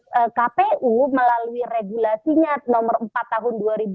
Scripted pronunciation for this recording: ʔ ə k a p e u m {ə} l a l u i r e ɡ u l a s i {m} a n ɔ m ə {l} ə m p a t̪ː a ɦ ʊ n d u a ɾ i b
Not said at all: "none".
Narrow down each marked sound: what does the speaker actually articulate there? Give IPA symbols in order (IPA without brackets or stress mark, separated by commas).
ə, ɲ, r